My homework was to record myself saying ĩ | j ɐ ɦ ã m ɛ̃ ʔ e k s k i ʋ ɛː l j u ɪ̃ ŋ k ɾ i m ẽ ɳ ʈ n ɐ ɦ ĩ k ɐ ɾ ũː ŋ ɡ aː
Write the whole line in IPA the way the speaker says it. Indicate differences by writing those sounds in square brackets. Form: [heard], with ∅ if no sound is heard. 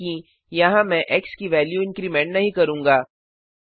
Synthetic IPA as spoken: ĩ | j ɐ ɦ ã m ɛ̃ ʔ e k s k i ʋ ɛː l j u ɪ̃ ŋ k ɾ i m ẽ ɳ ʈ n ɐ ɦ ĩ k ɐ ɾ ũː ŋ ɡ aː